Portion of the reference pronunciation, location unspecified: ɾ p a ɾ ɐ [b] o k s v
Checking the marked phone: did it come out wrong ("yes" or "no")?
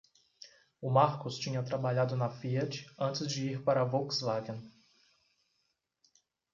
yes